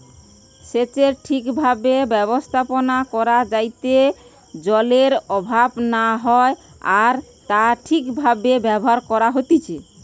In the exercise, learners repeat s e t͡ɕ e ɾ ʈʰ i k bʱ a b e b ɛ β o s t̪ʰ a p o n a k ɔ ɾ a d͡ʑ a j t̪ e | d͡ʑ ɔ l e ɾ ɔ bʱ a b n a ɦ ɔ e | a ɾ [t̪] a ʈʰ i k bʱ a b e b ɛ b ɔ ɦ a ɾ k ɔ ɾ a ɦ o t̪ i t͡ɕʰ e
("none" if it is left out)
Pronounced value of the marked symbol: t̪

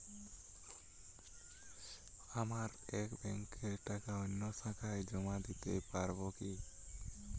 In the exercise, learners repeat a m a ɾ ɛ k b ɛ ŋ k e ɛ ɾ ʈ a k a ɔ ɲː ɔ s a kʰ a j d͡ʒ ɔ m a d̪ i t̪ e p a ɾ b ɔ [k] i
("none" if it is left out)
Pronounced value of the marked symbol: k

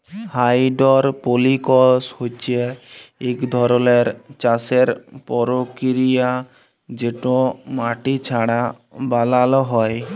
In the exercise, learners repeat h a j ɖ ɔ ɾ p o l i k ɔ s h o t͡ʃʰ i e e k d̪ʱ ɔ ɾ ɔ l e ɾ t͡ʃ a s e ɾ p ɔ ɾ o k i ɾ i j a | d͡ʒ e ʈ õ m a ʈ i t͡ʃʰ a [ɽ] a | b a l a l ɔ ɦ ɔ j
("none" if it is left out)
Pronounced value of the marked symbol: ɽ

